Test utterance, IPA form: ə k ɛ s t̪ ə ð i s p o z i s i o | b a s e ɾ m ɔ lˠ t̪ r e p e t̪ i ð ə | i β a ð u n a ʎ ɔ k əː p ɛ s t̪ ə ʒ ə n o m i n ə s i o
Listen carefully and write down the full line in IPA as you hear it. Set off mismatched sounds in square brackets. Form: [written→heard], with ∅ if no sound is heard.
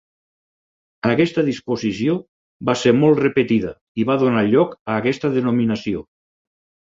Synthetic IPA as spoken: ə k ɛ s t̪ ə ð i s p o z i s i o | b a s e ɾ m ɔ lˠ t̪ r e p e t̪ i ð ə | i β a ð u n a ʎ ɔ k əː [p→k] ɛ s t̪ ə [ʒ→ð] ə n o m i n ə s i o